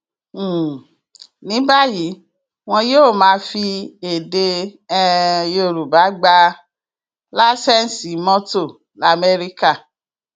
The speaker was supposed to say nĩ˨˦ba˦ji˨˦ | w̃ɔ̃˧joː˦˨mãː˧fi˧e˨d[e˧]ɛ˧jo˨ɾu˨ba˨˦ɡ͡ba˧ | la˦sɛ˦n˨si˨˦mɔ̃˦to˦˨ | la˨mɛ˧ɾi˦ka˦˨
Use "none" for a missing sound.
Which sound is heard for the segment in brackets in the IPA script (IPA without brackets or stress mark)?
e˧